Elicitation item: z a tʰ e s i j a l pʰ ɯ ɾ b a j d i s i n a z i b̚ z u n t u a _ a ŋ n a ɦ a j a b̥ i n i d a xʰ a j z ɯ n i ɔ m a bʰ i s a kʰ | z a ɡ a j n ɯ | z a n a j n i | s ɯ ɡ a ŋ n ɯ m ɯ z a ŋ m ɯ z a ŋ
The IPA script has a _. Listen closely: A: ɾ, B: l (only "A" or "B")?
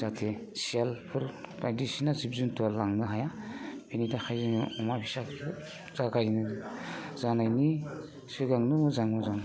B